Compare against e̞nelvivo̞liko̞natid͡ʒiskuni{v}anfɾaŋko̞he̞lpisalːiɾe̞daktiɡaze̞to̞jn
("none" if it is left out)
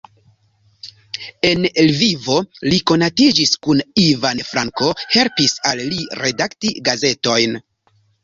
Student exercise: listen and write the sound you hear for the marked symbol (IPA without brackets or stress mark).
v